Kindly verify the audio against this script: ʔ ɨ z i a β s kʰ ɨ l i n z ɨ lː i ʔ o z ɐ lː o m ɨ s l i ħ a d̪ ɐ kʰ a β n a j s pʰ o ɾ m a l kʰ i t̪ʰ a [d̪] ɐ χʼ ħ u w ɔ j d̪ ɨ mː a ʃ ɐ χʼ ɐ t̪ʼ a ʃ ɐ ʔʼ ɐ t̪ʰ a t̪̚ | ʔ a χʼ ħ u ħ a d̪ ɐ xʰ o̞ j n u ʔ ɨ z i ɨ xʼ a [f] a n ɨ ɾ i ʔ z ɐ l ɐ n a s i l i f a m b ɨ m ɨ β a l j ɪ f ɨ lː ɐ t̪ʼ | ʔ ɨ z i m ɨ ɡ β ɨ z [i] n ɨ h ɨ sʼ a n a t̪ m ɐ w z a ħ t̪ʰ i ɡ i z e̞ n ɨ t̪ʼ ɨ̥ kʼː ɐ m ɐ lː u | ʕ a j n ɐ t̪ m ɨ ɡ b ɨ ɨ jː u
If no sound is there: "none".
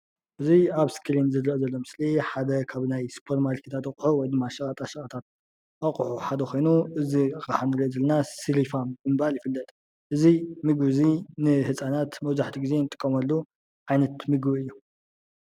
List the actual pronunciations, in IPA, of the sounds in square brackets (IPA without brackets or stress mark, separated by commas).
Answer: t̪, ħ, i